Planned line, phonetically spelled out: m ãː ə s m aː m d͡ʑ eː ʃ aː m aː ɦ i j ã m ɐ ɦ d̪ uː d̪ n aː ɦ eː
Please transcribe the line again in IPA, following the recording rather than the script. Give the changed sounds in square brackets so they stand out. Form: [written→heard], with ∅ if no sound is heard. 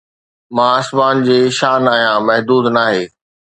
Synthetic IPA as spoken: m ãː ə s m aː [m→n] d͡ʑ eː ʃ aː [m→n] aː ɦ i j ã m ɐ ɦ d̪ uː d̪ n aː ɦ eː